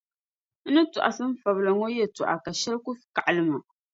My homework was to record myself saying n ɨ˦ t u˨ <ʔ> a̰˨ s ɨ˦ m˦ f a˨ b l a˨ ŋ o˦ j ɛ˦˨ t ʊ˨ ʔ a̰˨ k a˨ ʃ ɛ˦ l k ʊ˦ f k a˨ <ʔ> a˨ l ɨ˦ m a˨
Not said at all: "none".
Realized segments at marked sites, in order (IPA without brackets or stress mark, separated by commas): ʔ, ʔ